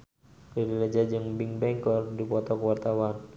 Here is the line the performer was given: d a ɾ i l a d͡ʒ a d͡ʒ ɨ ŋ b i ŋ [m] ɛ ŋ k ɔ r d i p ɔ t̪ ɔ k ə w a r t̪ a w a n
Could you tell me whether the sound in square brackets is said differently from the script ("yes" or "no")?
yes